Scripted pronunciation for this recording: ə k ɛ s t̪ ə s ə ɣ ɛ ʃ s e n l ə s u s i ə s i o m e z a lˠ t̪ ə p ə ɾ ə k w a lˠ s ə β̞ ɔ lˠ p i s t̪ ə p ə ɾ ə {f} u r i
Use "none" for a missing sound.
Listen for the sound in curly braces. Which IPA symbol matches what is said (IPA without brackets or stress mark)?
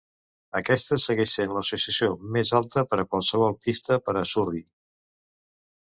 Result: s